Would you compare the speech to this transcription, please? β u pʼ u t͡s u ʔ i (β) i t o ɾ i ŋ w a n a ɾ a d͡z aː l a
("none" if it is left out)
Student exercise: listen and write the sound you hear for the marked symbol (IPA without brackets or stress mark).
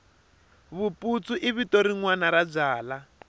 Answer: β